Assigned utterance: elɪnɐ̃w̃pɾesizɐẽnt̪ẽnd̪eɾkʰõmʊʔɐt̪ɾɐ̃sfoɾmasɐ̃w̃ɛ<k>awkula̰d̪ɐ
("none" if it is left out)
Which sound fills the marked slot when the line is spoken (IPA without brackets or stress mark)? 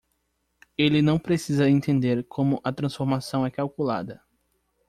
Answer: k